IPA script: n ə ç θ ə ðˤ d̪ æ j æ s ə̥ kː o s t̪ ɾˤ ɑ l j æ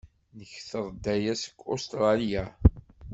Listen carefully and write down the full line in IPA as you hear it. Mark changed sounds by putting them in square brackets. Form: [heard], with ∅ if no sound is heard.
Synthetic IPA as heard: n ə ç θ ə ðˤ d̪ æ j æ s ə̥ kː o s t̪ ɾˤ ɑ l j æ